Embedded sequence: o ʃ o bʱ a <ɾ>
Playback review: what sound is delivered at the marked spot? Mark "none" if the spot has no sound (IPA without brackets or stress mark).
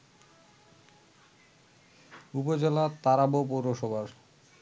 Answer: ɾ